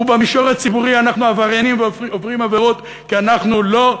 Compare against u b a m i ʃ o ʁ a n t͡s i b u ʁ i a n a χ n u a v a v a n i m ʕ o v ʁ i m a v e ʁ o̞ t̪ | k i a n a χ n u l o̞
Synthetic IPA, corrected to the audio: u b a m i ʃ o ʁ a t͡s i b u ʁ i a n a χ n u a v a ʁ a n i m v o v ʁ i m a v e ʁ o̞ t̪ | k i a n a χ n u l o̞